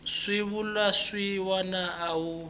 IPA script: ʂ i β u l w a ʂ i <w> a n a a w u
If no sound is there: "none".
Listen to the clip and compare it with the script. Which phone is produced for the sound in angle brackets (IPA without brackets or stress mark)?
w